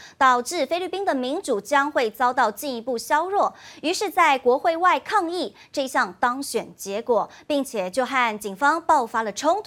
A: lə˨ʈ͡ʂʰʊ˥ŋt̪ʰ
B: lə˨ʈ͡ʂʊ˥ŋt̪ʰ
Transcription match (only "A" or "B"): A